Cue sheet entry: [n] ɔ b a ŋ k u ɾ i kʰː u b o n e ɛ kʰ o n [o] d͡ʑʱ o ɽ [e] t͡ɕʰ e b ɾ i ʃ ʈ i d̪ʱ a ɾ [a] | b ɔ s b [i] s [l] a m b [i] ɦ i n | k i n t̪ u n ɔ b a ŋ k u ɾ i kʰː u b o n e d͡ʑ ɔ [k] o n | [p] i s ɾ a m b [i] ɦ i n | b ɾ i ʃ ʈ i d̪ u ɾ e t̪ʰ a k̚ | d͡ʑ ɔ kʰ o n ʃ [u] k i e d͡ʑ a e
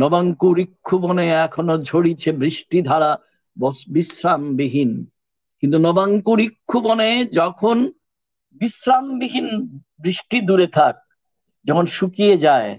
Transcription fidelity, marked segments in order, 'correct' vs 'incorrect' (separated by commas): correct, correct, incorrect, correct, correct, incorrect, correct, incorrect, incorrect, correct, correct